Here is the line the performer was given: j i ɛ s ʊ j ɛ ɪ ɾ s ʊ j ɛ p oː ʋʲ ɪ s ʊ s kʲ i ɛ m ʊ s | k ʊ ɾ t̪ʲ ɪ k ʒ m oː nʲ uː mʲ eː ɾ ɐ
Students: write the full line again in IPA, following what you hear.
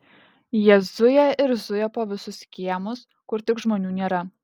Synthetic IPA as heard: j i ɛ z ʊ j ɛ ɪ ɾ z ʊ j ɛ p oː ʋʲ ɪ s ʊ s kʲ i ɛ m ʊ s | k ʊ ɾ t̪ʲ ɪ k ʒ m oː nʲ uː nʲ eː ɾ ɐ

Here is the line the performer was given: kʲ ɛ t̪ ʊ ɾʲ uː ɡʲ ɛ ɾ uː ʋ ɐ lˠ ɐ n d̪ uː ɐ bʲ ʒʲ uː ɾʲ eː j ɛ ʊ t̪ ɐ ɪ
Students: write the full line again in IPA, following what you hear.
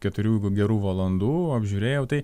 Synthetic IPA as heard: kʲ ɛ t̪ ʊ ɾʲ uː ɡʲ ɛ ɾ uː ʋ ɐ lˠ ɐ n d̪ uː ɐ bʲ ʒʲ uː ɾʲ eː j ɛ ʊ t̪ ɐ ɪ

